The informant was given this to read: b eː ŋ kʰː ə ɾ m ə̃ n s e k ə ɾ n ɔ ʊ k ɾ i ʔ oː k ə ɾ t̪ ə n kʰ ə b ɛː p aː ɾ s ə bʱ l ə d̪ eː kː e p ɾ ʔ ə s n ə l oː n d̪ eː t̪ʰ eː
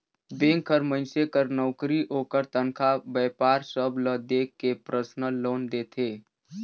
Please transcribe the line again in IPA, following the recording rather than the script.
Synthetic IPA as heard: b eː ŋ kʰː ə ɾ m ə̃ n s e k ə ɾ n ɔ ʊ k ɾ i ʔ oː k ə ɾ t̪ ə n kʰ a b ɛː p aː ɾ s ə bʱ l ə d̪ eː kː e p ɾ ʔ ə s n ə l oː n d̪ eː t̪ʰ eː